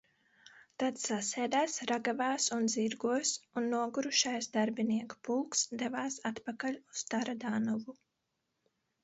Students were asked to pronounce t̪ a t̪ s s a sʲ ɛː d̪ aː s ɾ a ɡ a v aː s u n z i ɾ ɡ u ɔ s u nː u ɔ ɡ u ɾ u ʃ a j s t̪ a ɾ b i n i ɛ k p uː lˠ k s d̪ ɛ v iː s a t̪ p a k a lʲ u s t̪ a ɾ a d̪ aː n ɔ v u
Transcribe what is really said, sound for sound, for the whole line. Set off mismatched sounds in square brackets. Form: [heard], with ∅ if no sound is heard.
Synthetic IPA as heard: t̪ a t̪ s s a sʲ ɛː d̪ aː s ɾ a ɡ a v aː s u n z i ɾ ɡ u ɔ s u nː u ɔ ɡ u ɾ u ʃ a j s [d̪] a ɾ b i n i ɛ k p [u] lˠ k s d̪ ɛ v [aː] s a t̪ p a k a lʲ u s t̪ a ɾ a d̪ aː n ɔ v u